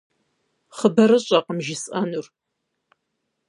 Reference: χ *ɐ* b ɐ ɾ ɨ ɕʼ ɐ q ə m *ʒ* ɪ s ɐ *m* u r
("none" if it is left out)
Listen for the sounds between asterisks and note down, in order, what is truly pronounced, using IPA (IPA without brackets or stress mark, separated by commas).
ə, ʒ, n